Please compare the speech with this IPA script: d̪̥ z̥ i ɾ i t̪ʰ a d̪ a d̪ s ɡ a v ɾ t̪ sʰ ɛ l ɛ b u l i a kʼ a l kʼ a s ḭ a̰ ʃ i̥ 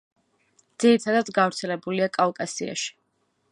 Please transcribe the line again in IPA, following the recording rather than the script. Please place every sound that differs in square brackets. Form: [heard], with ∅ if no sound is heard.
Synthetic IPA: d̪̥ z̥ i ɾ i t̪ʰ a d̪ a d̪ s ɡ a v ɾ t̪ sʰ ɛ l ɛ b u l i a kʼ a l kʼ a s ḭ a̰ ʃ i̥